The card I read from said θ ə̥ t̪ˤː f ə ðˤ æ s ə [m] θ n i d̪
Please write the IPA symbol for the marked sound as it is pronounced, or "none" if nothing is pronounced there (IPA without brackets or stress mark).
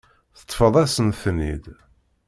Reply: n